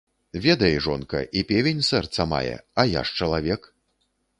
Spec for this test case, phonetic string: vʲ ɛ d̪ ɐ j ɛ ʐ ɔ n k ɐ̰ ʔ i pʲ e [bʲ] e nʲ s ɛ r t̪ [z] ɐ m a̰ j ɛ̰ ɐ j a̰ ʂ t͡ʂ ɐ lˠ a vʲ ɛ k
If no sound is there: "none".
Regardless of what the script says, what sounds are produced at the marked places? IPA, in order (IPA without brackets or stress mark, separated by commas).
vʲ, s